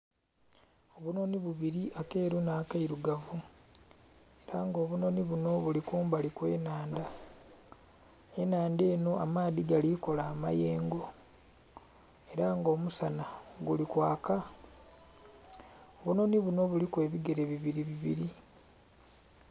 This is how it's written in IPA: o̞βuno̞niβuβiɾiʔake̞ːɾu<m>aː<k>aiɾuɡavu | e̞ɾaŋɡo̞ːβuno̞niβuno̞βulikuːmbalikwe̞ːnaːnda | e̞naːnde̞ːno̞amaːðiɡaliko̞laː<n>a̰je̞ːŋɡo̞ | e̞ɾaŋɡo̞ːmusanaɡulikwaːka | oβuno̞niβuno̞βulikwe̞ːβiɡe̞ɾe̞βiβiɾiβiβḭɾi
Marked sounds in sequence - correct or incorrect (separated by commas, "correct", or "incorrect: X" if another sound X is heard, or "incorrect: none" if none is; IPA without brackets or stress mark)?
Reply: incorrect: n, correct, incorrect: m